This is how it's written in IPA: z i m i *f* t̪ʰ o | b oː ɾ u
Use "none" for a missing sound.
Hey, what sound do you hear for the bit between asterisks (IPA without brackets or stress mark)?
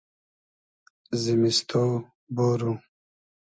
s